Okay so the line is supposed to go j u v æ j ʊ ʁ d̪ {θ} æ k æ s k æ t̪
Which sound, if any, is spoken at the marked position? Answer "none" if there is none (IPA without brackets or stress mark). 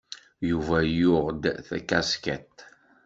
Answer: θ